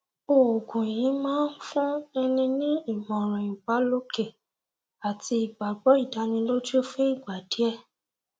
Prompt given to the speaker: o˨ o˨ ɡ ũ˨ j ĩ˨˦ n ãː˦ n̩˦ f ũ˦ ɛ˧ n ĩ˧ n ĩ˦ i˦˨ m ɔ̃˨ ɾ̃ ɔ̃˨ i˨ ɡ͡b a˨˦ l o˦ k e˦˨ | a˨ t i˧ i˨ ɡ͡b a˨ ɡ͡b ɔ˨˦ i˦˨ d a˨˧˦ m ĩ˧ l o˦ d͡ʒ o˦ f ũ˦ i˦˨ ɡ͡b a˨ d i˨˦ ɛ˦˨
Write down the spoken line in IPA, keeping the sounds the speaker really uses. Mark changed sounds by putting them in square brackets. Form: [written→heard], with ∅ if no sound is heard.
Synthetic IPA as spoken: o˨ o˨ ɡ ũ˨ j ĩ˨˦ [n→m] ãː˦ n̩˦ f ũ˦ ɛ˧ n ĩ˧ n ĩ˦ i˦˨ m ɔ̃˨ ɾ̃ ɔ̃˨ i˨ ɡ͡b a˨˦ l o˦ k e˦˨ | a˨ t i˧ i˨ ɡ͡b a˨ ɡ͡b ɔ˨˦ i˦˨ d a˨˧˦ [m→n] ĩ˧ l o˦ d͡ʒ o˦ f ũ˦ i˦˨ ɡ͡b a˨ d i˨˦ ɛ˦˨

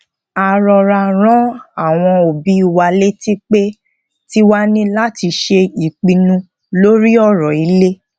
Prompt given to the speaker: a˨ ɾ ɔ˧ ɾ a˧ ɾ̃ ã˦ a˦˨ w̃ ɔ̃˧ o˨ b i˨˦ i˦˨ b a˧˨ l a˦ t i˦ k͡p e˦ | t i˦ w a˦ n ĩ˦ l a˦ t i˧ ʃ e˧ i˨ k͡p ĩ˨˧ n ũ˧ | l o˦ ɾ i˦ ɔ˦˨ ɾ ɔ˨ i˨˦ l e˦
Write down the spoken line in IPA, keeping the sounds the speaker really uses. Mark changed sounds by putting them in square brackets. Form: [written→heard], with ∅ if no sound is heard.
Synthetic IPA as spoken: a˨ ɾ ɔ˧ ɾ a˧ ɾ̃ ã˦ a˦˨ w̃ ɔ̃˧ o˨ b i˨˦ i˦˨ [b→w] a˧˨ l [a˦→e˦] t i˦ k͡p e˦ | t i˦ w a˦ n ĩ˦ l a˦ t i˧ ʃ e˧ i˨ k͡p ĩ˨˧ n ũ˧ | l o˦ ɾ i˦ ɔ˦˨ ɾ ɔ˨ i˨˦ l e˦

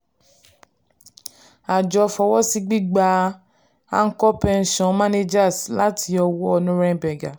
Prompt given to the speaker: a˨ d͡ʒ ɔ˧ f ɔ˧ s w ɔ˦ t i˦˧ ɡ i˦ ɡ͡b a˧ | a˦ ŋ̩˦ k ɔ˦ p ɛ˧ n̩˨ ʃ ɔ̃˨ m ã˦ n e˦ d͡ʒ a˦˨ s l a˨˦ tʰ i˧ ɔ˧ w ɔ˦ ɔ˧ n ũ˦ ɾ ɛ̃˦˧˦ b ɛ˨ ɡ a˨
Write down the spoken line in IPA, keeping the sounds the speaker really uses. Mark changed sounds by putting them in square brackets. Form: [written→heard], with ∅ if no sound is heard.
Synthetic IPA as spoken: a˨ d͡ʒ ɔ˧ f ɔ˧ [s→∅] w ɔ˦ [t→s] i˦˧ [ɡ→ɡ͡b] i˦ ɡ͡b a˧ | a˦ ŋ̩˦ k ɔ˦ p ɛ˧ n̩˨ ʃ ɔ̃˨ m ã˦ n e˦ d͡ʒ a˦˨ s l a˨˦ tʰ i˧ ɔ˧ w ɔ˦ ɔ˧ n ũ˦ ɾ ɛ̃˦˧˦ b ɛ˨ ɡ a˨

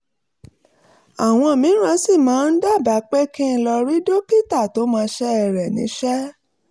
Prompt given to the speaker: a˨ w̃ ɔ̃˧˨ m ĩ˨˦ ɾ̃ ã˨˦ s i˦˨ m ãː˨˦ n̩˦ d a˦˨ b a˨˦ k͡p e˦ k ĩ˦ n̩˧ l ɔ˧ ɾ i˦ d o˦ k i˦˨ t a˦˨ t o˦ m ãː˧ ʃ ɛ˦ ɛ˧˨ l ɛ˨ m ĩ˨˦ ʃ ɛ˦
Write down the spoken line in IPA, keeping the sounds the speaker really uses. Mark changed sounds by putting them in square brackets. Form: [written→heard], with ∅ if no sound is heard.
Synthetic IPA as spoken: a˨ w̃ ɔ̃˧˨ m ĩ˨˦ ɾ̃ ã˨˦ s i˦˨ m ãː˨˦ n̩˦ d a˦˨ b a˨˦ k͡p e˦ k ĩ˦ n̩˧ l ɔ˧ ɾ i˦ d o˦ k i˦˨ t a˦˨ t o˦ m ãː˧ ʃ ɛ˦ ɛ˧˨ [l→ɾ] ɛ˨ [m→n] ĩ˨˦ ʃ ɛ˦

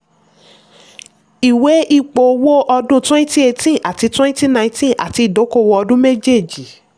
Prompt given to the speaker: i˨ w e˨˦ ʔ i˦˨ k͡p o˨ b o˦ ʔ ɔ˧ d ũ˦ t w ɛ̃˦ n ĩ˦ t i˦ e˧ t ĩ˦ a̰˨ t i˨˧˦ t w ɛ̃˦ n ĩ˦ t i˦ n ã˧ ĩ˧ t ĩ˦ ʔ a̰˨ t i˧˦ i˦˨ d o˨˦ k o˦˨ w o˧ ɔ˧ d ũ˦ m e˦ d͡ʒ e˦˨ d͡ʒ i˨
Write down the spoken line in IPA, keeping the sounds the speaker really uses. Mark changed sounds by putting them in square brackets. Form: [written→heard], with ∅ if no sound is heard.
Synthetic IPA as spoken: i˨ w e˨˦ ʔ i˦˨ k͡p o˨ [b→w] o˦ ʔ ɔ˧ d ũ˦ t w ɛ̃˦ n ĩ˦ t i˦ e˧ t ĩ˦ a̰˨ t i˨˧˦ t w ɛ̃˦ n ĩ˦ t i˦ n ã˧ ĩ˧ t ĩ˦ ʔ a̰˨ t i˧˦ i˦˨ d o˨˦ k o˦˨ w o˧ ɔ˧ d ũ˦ m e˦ d͡ʒ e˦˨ d͡ʒ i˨

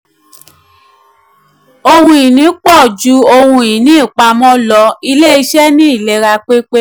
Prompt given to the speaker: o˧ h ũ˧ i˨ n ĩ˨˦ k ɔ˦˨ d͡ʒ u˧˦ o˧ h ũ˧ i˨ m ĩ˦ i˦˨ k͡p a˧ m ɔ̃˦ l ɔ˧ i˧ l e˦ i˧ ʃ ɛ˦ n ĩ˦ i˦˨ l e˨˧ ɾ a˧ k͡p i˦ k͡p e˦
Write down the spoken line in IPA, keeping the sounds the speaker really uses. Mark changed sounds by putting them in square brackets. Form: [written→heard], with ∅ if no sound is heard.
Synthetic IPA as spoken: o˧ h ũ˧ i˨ n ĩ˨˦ [k→k͡p] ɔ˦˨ d͡ʒ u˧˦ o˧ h ũ˧ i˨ [m→n] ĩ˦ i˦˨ k͡p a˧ m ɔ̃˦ l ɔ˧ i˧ l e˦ i˧ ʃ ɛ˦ n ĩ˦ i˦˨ l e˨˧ ɾ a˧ k͡p [i˦→e˦] k͡p e˦

